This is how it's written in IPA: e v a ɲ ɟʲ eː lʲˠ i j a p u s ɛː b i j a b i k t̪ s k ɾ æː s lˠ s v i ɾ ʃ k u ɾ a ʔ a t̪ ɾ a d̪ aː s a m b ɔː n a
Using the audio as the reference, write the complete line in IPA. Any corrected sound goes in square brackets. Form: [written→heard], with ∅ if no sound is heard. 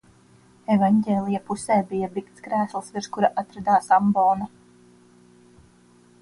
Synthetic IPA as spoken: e v a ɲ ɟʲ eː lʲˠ i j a p u s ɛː b i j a b i k t̪ s k ɾ æː s lˠ s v i ɾ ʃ k u ɾ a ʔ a t̪ ɾ a d̪ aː s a m b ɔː n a